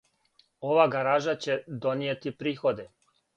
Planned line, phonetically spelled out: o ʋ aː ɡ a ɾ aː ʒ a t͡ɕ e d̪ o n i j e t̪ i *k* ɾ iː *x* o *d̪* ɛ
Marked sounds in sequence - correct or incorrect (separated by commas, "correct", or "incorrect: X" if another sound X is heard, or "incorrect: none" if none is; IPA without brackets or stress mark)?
incorrect: p, correct, correct